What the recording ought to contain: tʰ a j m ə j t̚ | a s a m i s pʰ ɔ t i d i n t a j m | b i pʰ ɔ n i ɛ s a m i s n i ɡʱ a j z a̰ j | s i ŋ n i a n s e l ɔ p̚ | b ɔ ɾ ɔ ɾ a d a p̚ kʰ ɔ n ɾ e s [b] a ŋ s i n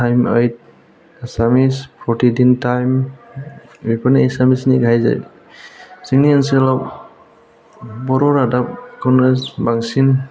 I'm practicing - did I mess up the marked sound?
no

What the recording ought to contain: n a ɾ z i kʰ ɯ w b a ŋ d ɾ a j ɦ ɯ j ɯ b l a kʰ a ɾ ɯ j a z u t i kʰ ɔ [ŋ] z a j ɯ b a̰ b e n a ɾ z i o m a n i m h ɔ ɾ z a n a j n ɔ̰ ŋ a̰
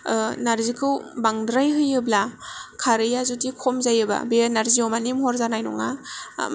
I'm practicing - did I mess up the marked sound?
yes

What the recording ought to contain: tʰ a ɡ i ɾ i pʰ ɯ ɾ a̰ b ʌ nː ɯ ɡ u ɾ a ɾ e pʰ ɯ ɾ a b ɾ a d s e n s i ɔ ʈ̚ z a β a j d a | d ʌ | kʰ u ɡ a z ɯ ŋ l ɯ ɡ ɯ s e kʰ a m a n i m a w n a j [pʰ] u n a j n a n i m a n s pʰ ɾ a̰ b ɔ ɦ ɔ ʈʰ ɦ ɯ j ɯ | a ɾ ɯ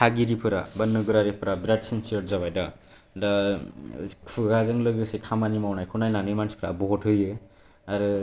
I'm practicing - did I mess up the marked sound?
yes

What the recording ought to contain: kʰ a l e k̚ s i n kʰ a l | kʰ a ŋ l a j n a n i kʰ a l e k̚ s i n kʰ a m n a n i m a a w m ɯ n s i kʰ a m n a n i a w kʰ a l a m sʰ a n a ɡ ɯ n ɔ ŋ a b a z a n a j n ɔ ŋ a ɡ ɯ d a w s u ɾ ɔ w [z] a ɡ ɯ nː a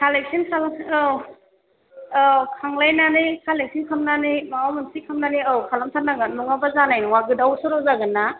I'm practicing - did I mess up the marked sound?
no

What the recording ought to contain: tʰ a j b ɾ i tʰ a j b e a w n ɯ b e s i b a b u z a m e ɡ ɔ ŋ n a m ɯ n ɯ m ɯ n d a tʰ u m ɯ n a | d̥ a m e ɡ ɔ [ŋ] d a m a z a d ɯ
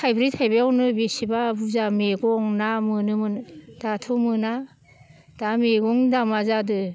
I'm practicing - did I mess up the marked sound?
no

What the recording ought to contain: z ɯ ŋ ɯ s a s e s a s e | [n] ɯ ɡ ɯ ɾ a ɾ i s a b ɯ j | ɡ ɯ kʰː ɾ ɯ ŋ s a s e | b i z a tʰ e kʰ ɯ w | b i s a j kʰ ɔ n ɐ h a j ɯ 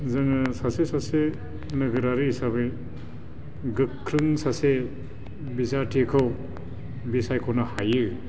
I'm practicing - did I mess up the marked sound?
no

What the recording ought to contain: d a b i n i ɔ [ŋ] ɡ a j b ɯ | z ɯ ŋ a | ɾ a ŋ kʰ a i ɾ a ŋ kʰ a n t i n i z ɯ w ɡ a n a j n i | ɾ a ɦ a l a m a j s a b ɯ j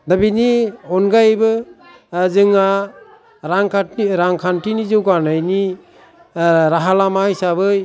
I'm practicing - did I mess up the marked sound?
yes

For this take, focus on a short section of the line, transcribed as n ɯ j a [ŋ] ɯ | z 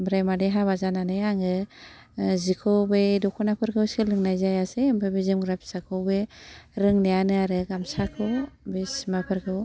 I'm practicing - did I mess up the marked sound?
no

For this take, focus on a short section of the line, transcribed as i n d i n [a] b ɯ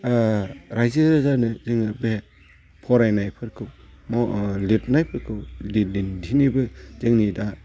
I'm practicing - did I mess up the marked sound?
yes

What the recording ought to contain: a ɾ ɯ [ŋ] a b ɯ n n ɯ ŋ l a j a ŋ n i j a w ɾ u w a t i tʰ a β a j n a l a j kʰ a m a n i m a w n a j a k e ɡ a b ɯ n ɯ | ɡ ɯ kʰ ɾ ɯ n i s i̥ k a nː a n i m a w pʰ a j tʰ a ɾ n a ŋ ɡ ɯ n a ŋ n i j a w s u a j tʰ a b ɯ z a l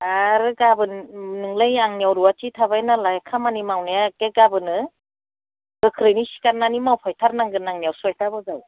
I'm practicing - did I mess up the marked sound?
yes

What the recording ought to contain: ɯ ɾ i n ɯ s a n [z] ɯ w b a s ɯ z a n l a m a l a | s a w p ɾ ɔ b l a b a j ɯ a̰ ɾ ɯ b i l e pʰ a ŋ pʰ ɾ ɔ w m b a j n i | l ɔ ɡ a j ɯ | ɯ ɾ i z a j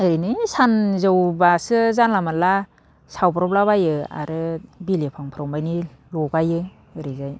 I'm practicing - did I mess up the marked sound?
no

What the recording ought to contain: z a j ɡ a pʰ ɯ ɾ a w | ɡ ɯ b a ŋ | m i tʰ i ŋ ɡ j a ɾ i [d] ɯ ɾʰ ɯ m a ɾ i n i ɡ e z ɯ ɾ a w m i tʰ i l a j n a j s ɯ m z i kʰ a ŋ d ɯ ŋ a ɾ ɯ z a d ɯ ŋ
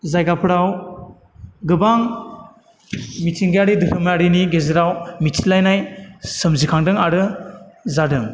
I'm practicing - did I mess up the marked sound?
no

